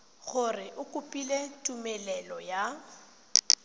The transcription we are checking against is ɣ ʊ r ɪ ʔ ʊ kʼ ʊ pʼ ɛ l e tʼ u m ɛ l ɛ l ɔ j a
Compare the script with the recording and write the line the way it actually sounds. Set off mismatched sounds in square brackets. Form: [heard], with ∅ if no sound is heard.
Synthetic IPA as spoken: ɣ ʊ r ɪ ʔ ʊ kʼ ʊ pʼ [i] l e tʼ u m ɛ l ɛ l ɔ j a